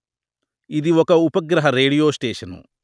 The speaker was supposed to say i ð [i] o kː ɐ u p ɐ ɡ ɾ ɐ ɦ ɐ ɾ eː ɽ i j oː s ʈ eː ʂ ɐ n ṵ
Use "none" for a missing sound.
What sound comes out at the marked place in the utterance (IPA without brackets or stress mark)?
i